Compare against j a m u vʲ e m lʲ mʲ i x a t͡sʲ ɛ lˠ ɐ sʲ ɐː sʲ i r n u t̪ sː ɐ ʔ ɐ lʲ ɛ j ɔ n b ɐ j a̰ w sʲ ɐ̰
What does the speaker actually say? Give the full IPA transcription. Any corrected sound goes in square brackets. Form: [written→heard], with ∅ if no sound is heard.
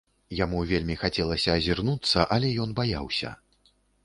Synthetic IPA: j a m u vʲ e [m→∅] lʲ mʲ i x a t͡sʲ ɛ lˠ ɐ sʲ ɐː [sʲ→zʲ] i r n u t̪ sː ɐ ʔ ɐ lʲ ɛ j ɔ n b [ɐ→a] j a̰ w sʲ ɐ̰